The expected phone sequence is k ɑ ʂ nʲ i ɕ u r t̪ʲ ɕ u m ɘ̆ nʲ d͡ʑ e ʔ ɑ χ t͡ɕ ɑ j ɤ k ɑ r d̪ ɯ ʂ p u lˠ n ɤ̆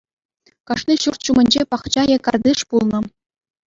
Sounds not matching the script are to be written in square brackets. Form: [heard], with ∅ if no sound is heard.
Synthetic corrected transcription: k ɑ ʂ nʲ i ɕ u r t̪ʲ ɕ u m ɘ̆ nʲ d͡ʑ e [p] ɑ χ t͡ɕ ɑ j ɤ k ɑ r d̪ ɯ ʂ p u lˠ n ɤ̆